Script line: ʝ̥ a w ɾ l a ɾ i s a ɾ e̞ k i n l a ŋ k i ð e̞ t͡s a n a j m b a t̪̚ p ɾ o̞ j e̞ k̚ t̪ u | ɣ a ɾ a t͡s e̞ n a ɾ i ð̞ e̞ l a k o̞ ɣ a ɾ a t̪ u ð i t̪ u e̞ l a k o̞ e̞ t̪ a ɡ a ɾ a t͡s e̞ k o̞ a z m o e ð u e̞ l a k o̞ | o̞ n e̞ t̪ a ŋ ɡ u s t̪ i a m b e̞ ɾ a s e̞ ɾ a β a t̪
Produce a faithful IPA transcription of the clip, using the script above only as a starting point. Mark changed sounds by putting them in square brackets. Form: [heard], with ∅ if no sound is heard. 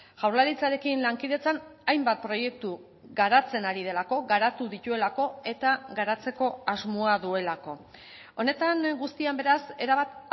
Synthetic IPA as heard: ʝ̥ a w ɾ l a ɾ i [t͡s] a ɾ e̞ k i n l a ŋ k i ð e̞ t͡s a n a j m b a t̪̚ p ɾ o̞ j e̞ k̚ t̪ u | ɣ a ɾ a t͡s e̞ n a ɾ i ð̞ e̞ l a k o̞ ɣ a ɾ a t̪ u ð i t̪ u e̞ l a k o̞ e̞ t̪ a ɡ a ɾ a t͡s e̞ k o̞ a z m o [a] ð u e̞ l a k o̞ | o̞ n e̞ t̪ a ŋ ɡ u s t̪ i a m b e̞ ɾ a s e̞ ɾ a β a t̪

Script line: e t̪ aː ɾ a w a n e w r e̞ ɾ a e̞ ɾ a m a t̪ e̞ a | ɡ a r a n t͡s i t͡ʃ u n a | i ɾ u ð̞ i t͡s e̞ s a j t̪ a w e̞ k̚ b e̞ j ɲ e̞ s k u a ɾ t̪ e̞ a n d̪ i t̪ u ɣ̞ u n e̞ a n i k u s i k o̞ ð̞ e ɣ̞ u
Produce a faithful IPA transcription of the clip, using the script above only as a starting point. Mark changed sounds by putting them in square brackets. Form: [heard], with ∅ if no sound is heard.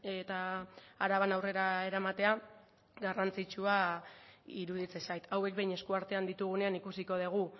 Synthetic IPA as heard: e t̪ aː ɾ a [β] a n [a] w r e̞ ɾ a e̞ ɾ a m a t̪ e̞ a | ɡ a r a n t͡s i t͡ʃ u [∅] a | i ɾ u ð̞ i t͡s e̞ s a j t̪ a w e̞ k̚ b e̞ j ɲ e̞ s k u a ɾ t̪ e̞ a n d̪ i t̪ u ɣ̞ u n e̞ a n i k u s i k o̞ ð̞ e ɣ̞ u

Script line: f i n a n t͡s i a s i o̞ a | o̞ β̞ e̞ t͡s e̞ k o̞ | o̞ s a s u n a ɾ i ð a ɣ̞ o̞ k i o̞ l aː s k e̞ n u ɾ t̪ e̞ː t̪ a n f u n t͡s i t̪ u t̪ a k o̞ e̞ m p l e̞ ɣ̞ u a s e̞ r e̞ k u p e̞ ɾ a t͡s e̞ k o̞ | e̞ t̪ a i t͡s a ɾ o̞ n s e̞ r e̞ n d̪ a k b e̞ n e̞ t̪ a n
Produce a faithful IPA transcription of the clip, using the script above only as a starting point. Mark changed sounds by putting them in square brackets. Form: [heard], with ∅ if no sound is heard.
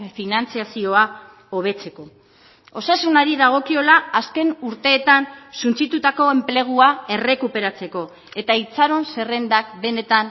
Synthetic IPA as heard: f i n a n t͡s i a s i o̞ a | o̞ β̞ e̞ t͡s e̞ k o̞ | o̞ s a s u n a ɾ i ð a ɣ̞ o̞ k i o̞ l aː s k e̞ n u ɾ t̪ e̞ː t̪ a n [s] u n t͡s i t̪ u t̪ a k o̞ e̞ m p l e̞ ɣ̞ u a [∅] e̞ r e̞ k u p e̞ ɾ a t͡s e̞ k o̞ | e̞ t̪ a i t͡s a ɾ o̞ n s e̞ r e̞ n d̪ a k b e̞ n e̞ t̪ a n

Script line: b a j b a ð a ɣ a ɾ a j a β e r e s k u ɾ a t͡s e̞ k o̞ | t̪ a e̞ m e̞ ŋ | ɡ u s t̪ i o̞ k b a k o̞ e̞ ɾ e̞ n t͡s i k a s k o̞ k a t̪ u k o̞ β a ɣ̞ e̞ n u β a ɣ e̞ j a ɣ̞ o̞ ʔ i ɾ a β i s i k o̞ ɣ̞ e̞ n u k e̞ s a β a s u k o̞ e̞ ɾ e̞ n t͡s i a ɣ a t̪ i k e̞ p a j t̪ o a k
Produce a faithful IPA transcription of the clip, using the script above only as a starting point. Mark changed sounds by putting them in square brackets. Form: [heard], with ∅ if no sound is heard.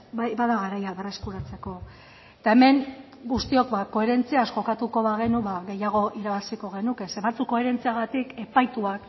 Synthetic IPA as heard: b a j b a ð a ɣ a ɾ a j a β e r e s k u ɾ a t͡s e̞ k o̞ | t̪ a e̞ m e̞ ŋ | ɡ u s t̪ i o̞ k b a k o̞ e̞ ɾ e̞ n t͡s i [∅] a s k o̞ k a t̪ u k o̞ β a ɣ̞ e̞ n u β a ɣ e̞ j a ɣ̞ o̞ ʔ i ɾ a β [a] s i k o̞ ɣ̞ e̞ n u k e̞ s [e] β a [t͡s] u k o̞ e̞ ɾ e̞ n t͡s i a ɣ a t̪ i k e̞ p a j t̪ [u] a k

